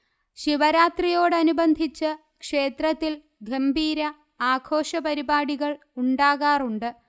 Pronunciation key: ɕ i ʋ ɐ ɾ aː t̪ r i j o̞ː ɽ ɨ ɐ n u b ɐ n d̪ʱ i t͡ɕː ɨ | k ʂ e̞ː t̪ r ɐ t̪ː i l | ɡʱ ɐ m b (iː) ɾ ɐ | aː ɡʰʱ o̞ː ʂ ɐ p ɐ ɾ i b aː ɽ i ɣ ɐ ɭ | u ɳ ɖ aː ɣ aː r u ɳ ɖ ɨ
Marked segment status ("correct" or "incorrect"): correct